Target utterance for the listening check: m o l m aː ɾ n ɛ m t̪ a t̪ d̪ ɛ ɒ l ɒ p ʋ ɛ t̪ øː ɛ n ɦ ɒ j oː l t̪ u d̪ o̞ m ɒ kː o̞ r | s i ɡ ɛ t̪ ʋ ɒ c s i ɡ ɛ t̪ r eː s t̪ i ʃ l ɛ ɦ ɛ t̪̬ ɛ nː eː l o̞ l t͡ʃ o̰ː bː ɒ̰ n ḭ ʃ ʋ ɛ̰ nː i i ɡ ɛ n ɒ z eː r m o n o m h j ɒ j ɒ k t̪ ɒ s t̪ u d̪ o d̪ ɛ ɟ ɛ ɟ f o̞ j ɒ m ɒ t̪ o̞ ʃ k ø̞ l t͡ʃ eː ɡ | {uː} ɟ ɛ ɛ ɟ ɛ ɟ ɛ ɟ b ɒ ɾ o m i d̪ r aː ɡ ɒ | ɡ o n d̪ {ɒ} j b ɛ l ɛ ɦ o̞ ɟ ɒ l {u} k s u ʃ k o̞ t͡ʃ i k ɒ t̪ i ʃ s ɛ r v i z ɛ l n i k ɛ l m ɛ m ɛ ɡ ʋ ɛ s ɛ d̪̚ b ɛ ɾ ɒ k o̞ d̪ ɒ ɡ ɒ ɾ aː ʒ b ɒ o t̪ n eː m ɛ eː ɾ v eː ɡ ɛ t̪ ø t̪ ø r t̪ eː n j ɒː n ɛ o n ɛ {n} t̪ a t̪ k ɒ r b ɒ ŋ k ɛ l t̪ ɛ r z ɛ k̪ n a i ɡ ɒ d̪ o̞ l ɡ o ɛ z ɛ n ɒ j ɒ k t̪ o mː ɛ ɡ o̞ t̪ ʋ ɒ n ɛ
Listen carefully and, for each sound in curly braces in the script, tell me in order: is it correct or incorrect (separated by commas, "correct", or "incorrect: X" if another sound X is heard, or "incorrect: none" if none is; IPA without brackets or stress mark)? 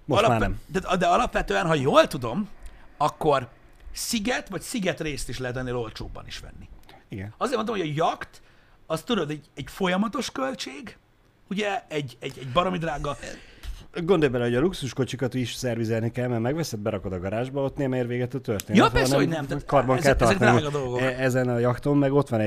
incorrect: u, incorrect: o, correct, incorrect: m